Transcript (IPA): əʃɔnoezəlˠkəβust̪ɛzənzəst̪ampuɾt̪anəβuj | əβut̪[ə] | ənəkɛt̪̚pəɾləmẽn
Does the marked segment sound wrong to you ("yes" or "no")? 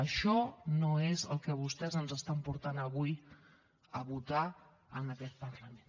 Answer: yes